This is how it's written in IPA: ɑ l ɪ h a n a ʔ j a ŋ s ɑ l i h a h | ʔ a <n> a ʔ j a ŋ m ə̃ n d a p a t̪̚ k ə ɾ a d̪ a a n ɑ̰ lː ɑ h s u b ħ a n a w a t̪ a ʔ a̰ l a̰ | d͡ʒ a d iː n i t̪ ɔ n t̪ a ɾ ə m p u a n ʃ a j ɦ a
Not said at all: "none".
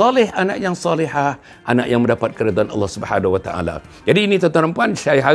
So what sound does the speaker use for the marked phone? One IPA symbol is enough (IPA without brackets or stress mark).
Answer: n